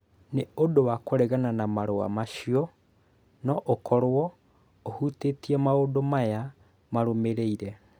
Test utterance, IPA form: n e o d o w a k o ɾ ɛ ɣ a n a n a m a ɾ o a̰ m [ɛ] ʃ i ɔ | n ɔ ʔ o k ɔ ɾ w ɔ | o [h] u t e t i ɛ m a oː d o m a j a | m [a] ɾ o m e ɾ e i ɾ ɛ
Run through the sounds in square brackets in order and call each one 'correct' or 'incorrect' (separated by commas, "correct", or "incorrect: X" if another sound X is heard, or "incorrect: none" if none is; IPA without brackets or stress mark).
incorrect: a, correct, correct